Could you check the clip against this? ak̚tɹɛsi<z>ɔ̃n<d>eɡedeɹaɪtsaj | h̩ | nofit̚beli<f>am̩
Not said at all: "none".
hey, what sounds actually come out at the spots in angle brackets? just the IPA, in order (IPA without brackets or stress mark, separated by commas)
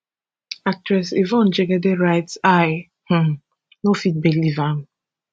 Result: v, d͡ʒ, v